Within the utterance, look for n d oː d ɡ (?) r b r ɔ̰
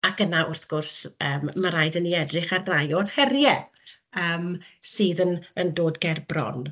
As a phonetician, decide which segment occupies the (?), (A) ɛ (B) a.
A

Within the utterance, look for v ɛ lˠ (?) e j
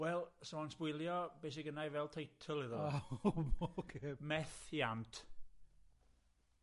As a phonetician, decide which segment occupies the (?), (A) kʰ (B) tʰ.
B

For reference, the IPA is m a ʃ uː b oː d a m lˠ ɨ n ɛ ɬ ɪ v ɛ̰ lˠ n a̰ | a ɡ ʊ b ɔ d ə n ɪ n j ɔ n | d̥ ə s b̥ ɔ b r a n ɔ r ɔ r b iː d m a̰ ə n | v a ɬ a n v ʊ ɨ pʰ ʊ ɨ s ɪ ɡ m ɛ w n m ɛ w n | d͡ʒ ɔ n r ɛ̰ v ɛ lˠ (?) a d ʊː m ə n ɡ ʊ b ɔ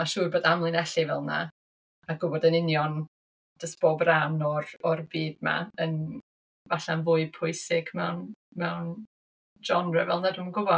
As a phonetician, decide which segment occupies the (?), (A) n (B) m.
A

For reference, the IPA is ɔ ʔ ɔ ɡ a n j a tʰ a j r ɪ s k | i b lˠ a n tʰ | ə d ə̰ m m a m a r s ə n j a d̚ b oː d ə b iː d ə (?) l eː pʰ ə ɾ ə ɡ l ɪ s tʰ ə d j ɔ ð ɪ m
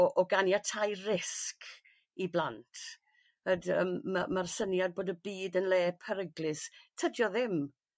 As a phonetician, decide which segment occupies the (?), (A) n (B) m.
A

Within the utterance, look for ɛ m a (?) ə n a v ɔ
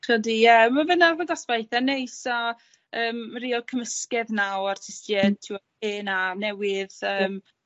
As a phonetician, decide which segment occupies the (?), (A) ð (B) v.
B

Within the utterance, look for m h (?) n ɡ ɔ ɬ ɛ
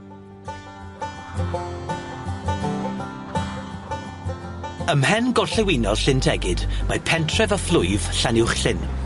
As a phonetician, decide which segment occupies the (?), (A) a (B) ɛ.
B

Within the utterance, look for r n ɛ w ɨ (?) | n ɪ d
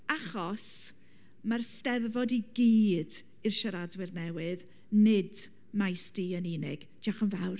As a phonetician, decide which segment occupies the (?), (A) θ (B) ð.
B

